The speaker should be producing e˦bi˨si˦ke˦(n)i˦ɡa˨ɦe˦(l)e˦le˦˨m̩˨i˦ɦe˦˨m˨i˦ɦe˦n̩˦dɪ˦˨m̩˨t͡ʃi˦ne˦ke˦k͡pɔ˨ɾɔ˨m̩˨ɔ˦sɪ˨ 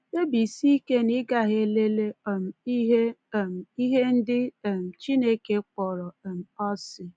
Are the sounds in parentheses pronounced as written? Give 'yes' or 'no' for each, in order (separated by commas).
yes, yes